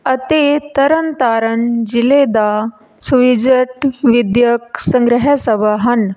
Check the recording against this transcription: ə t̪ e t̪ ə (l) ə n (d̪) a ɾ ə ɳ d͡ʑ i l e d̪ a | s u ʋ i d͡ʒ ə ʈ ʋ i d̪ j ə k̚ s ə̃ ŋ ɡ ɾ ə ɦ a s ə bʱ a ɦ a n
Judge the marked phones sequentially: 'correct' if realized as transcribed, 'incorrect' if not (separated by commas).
incorrect, incorrect